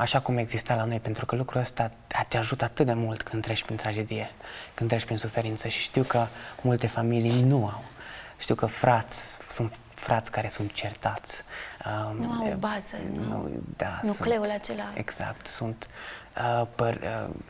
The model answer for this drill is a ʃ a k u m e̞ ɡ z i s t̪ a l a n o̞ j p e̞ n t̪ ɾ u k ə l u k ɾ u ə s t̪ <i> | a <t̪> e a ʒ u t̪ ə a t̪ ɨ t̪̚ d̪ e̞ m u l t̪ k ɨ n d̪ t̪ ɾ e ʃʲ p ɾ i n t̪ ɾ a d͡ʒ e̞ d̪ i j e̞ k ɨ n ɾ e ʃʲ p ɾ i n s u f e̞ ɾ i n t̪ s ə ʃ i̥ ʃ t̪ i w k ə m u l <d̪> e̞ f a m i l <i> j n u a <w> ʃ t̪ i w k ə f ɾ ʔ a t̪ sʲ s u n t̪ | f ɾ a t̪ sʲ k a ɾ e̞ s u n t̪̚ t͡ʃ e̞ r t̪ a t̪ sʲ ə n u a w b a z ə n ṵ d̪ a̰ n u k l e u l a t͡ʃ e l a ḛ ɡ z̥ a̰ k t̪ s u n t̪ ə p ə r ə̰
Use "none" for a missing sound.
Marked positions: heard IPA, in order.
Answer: a, t̪, t̪, i, w

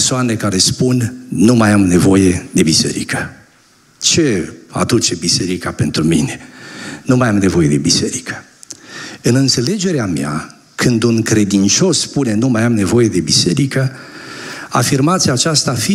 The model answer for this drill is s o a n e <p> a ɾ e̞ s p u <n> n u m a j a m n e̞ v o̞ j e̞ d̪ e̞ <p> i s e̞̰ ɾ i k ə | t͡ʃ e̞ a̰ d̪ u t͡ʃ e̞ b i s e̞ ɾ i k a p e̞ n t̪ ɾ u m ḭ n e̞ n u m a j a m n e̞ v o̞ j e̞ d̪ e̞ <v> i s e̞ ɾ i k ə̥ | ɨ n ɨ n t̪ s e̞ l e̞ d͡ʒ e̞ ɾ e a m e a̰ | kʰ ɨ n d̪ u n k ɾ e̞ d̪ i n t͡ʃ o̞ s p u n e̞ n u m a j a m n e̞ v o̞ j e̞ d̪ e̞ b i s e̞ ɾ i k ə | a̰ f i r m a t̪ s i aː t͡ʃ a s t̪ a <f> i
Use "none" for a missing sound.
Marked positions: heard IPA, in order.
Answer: k, n, b, b, f

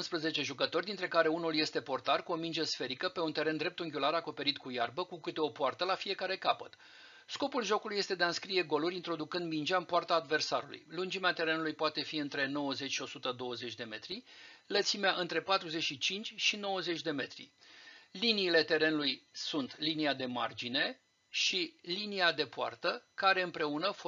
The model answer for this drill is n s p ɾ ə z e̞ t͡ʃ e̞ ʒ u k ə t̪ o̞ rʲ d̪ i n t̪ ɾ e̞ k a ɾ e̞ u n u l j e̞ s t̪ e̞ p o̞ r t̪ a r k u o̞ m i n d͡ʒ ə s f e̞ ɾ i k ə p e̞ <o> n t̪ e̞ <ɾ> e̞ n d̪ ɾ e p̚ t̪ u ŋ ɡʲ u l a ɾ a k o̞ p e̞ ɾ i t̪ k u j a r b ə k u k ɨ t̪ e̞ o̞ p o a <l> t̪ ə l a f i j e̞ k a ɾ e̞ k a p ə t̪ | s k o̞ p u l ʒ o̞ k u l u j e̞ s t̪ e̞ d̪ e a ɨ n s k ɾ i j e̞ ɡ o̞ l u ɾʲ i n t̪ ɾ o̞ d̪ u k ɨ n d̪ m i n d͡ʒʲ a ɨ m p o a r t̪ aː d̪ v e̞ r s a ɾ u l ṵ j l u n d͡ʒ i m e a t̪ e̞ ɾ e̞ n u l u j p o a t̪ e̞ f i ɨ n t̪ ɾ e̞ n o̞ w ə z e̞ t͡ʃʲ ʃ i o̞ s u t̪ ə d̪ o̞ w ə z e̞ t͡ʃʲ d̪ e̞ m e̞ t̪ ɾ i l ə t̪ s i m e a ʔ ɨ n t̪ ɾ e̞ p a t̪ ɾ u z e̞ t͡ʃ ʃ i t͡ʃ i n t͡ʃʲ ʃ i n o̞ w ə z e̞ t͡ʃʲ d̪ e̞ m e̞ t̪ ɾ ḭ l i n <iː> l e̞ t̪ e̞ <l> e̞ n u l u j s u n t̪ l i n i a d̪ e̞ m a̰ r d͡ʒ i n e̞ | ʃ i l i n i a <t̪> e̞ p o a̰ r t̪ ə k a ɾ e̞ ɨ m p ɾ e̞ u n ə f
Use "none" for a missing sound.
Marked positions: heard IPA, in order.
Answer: u, ɾ, r, iː, ɾ, d̪

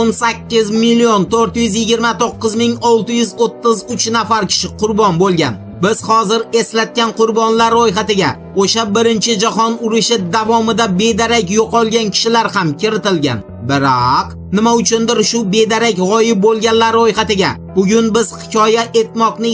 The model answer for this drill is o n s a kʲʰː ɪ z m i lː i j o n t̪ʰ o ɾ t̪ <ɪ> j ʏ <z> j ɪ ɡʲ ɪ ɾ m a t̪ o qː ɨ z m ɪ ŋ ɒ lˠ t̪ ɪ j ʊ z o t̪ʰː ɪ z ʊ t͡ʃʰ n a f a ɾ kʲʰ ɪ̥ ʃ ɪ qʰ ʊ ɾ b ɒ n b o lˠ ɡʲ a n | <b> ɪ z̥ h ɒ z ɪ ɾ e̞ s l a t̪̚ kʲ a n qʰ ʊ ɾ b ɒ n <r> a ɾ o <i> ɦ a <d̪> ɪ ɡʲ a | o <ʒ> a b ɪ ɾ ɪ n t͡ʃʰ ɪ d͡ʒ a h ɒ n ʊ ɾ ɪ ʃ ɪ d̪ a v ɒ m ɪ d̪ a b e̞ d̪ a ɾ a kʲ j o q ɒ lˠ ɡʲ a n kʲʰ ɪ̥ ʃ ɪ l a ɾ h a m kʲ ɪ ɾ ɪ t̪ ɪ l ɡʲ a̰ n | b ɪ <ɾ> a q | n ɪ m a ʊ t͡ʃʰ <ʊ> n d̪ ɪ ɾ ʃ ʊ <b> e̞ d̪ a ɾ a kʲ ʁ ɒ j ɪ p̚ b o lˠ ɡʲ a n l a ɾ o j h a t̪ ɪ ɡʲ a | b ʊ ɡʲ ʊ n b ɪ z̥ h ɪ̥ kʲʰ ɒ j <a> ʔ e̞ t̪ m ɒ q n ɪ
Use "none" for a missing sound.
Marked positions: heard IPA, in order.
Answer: ɪ, z, b, l, j, t̪, ʃ, ɾ, ʊ, b, a

